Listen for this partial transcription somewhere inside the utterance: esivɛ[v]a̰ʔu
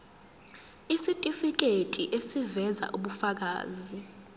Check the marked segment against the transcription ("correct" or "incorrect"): incorrect